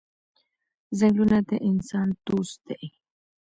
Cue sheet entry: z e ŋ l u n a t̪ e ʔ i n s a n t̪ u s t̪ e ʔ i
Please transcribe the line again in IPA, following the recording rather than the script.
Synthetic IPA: z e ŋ l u n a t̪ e ʔ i n s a n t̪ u s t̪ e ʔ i